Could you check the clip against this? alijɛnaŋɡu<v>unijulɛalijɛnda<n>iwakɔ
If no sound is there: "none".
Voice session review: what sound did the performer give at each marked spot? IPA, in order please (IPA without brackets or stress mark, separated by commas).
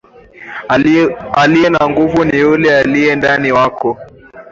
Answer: v, n